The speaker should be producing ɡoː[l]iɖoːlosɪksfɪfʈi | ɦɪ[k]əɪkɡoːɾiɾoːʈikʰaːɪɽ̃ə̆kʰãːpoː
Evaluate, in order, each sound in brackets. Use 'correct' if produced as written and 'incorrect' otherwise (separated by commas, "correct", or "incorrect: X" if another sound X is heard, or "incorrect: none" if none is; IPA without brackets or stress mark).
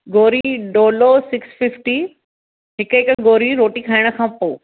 incorrect: ɾ, correct